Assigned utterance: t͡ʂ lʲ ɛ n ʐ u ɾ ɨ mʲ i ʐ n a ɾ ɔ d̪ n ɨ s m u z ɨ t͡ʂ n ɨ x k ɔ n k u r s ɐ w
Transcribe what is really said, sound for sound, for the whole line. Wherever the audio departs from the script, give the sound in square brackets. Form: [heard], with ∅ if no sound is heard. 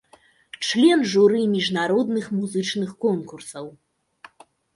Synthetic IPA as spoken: t͡ʂ lʲ ɛ n ʐ u ɾ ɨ mʲ i ʐ n a ɾ ɔ d̪ n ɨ [x] m u z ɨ t͡ʂ n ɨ x k ɔ n k u r s ɐ w